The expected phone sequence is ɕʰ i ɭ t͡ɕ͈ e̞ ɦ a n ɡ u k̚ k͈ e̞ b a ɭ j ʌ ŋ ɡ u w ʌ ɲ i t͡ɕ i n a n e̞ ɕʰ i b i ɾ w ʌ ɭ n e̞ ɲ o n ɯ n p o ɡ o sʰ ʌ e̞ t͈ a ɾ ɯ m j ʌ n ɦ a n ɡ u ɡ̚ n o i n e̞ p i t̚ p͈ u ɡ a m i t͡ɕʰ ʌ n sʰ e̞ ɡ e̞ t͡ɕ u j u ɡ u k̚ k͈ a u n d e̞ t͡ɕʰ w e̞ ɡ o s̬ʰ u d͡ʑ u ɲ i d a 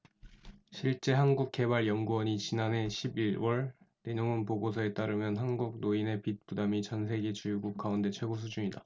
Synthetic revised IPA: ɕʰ i ɭ t͡ɕ͈ e̞ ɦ a n ɡ u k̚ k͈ e̞ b a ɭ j ʌ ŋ ɡ u w ʌ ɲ i t͡ɕ i n a n e̞ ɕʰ i b i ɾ w ʌ ɭ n e̞ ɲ o ŋ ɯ n p o ɡ o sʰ ʌ e̞ t͈ a ɾ ɯ m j ʌ n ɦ a n ɡ u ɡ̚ n o i n e̞ p i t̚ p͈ u d a m i t͡ɕ ʌ n sʰ e̞ ɡ e̞ t͡ɕ u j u ɡ u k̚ k͈ a u n d e̞ t͡ɕʰ w e̞ ɡ o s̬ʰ u d͡ʑ u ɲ i d a